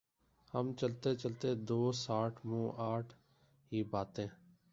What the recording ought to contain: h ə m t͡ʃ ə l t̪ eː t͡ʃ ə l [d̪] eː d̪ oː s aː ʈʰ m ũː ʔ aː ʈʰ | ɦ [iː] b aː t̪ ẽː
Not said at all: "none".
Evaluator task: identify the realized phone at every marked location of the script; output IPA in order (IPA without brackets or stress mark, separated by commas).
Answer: t̪, iː